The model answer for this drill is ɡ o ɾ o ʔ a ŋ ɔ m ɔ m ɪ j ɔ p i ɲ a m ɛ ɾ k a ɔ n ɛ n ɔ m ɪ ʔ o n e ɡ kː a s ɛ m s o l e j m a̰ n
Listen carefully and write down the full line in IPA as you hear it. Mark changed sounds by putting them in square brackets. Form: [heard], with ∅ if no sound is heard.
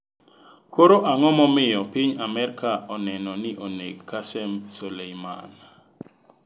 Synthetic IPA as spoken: [k] o ɾ o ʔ a ŋ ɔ m ɔ m ɪ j ɔ p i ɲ a m ɛ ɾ k a ɔ n ɛ n ɔ [n] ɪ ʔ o n e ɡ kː a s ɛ m s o l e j m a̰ n